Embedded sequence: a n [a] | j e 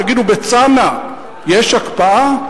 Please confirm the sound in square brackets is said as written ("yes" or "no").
yes